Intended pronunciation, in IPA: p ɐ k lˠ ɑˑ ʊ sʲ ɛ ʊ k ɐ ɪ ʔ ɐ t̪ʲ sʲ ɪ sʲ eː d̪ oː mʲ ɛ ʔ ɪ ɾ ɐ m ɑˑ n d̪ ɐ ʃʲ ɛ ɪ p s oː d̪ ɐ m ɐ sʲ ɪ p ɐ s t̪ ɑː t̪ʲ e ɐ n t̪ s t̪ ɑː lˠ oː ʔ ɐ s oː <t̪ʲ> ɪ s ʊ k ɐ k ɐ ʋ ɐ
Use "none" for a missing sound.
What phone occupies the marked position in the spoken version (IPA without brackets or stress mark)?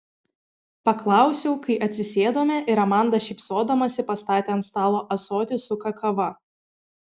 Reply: t̪ʲ